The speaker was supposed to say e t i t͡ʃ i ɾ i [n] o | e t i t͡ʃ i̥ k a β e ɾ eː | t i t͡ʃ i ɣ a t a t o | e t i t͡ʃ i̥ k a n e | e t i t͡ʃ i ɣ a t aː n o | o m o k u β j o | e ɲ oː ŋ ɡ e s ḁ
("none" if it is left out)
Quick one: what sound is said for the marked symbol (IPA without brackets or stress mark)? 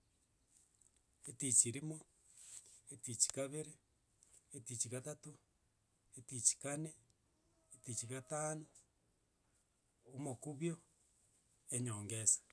m